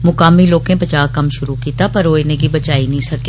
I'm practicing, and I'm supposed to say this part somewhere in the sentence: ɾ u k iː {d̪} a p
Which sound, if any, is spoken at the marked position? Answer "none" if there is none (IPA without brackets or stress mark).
t̪